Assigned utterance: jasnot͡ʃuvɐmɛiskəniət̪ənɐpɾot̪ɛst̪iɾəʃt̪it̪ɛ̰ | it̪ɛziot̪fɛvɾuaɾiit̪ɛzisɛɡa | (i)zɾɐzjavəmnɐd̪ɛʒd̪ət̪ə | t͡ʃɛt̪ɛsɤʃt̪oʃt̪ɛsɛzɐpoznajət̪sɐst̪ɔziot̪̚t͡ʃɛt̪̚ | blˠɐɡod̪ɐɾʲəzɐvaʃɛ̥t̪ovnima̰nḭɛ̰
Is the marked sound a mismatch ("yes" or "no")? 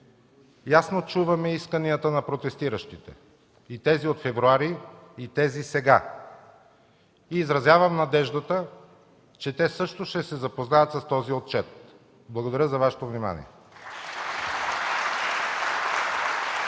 yes